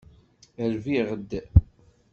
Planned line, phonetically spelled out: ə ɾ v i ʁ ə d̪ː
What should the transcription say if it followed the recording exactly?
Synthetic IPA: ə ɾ v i ʁ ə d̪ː